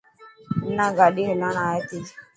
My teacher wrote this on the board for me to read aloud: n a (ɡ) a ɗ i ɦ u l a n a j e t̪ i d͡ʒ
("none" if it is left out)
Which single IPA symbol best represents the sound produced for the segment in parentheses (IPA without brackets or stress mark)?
ɡ